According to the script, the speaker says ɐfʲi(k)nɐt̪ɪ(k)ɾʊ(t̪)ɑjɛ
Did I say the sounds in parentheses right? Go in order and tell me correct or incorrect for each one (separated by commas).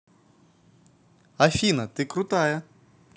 incorrect, correct, correct